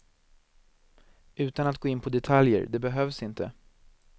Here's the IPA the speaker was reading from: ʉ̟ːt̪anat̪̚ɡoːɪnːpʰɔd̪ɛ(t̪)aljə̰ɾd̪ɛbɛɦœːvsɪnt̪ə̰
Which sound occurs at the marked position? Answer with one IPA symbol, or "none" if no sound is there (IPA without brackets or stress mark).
t̪ʰ